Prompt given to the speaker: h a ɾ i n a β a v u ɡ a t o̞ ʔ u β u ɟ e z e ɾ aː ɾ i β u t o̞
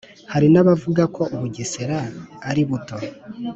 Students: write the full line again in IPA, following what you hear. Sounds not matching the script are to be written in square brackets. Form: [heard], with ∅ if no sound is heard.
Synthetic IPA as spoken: h a ɾ i n a β a v u ɡ a [k] o̞ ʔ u β u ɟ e [s] e ɾ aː ɾ i β u t o̞